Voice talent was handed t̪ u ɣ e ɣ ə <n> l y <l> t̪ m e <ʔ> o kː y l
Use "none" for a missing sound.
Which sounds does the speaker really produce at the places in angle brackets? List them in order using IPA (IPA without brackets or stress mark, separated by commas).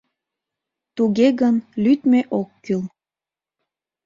n, none, ʔ